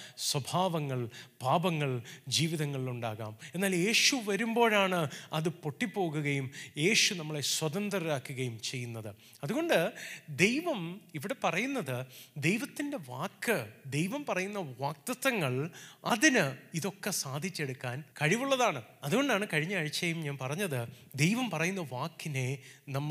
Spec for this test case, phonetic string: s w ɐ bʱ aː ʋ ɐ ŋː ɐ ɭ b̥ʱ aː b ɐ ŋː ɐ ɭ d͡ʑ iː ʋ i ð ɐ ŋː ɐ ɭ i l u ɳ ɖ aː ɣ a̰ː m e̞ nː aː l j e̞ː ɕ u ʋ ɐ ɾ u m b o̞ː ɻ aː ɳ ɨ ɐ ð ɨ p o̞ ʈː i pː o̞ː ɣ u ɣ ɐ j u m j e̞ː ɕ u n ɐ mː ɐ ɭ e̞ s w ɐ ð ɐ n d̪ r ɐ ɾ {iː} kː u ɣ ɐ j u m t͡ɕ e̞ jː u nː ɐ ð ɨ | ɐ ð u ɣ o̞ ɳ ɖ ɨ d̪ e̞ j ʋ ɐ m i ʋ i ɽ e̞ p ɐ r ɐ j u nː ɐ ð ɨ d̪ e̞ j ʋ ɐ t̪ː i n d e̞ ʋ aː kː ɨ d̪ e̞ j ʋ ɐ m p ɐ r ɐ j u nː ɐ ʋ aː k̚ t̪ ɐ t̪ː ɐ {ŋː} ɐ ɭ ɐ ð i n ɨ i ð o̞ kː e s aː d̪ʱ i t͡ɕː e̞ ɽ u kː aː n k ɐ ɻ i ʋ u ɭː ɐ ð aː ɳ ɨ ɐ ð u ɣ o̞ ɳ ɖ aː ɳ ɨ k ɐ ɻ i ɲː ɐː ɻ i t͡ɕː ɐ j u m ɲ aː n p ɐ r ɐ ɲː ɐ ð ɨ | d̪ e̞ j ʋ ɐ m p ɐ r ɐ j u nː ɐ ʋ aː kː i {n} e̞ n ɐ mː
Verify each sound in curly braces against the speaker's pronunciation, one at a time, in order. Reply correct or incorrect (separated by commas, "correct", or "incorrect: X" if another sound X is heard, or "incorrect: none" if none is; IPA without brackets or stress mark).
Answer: incorrect: aː, correct, correct